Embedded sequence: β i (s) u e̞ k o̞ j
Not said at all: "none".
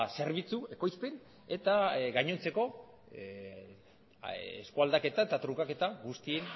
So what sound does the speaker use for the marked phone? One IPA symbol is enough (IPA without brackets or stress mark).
t͡s